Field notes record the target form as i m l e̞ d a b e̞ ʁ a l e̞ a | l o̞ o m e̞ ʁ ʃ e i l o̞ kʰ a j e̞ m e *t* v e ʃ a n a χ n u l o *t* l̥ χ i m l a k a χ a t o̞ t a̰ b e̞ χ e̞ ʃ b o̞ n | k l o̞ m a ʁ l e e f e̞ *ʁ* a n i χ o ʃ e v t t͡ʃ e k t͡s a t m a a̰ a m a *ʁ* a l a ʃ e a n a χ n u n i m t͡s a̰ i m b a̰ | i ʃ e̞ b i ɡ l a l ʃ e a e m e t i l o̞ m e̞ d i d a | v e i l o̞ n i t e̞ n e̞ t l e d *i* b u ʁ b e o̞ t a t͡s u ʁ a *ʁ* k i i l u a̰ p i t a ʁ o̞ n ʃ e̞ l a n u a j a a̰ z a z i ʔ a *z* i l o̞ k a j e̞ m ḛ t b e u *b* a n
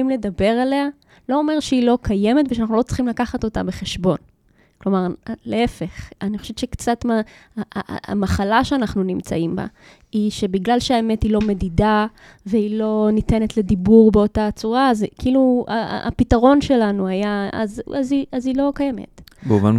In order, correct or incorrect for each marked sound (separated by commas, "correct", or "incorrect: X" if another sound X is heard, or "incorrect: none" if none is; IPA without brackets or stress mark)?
correct, incorrect: t͡s, incorrect: χ, incorrect: χ, correct, incorrect: z, correct, incorrect: v